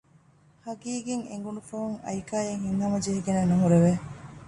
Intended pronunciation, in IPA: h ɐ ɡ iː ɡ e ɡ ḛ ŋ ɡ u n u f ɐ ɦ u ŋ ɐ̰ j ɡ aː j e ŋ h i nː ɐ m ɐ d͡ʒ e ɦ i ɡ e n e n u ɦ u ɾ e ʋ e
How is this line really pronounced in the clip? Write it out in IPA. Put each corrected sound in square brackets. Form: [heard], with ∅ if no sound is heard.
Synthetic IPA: h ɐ ɡ iː ɡ e [ŋ] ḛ ŋ ɡ u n u f ɐ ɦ u ŋ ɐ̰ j [k] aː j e ŋ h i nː ɐ m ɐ d͡ʒ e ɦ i ɡ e n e n u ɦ u ɾ e ʋ e